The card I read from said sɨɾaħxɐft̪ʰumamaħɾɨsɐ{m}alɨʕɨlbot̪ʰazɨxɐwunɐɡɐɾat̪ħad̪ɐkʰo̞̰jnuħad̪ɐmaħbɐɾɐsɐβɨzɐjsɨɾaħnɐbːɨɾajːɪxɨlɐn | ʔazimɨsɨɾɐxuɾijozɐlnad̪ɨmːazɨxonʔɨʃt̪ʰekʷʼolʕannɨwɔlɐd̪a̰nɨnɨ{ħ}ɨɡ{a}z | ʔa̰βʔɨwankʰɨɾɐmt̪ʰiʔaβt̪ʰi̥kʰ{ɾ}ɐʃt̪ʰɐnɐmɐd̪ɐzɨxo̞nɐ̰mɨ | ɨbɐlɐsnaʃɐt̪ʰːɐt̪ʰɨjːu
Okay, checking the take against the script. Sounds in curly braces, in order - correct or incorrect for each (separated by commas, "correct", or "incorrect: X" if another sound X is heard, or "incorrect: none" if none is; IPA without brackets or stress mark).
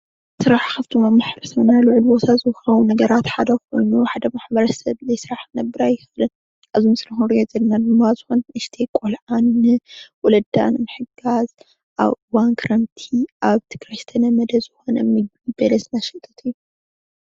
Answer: incorrect: n, correct, correct, correct